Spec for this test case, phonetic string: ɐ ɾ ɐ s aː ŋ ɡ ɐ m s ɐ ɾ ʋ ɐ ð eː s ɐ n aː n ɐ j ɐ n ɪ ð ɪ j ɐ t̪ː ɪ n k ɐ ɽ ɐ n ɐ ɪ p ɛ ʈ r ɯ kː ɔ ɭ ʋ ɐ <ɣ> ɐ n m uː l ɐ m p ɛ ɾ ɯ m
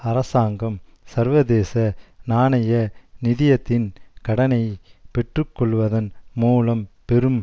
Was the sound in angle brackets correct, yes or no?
no